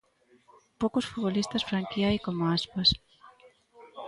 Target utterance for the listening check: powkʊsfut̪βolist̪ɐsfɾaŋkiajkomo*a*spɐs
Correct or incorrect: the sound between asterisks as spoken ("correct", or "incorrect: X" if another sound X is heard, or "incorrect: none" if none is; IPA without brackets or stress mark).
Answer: correct